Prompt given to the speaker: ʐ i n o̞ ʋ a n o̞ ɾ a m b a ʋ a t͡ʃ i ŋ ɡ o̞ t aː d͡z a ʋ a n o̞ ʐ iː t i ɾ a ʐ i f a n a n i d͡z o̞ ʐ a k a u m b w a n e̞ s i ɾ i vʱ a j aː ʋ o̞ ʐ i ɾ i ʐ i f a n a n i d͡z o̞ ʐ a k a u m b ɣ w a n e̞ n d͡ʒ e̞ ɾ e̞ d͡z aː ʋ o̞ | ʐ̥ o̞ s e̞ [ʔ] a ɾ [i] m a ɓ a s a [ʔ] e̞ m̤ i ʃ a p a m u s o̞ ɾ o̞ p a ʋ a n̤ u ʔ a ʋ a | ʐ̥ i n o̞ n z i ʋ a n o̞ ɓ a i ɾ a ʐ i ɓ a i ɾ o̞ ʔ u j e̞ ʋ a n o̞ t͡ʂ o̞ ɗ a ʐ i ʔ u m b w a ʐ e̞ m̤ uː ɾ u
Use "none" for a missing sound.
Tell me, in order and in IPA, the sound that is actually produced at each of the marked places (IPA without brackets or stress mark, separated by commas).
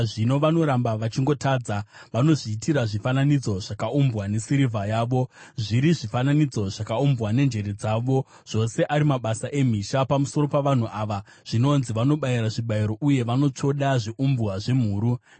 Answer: ʔ, i, ʔ